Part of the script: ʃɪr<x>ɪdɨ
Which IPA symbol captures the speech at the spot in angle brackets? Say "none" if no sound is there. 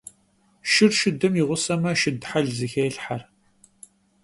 ʃ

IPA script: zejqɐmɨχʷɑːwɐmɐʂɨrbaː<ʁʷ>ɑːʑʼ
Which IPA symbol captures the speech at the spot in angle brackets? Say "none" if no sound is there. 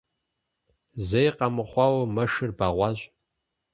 ʁʷ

